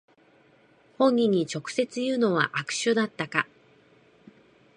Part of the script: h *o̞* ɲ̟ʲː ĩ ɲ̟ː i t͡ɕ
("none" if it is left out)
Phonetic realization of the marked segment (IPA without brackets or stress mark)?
õ̞